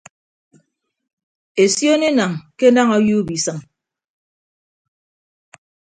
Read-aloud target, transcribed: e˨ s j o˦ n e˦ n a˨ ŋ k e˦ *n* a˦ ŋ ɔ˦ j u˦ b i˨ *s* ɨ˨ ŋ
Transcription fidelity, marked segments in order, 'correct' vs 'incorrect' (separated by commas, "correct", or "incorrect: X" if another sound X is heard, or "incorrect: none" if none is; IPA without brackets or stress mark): correct, correct